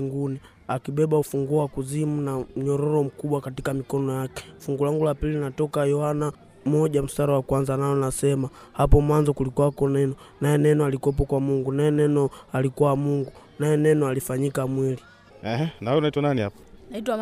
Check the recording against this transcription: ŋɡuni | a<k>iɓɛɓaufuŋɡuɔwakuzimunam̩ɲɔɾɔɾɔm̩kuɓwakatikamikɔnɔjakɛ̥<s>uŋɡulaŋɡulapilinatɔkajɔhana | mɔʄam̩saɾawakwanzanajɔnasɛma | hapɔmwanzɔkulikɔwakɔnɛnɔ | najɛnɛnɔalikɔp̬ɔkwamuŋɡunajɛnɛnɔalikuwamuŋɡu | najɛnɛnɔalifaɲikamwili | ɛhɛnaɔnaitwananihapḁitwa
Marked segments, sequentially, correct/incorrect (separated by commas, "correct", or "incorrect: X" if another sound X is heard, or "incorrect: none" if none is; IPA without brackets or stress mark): correct, incorrect: f